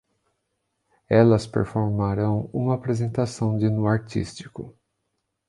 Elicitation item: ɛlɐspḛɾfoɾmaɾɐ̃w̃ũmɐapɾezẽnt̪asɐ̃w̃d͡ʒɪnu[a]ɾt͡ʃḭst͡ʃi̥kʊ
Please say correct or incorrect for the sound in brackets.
correct